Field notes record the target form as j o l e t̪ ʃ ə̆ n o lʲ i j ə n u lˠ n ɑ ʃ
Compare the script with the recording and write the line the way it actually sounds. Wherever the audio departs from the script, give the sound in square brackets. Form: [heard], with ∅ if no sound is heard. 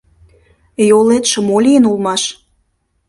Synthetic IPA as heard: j o l e t̪ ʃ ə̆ [m] o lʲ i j ə n u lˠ [m] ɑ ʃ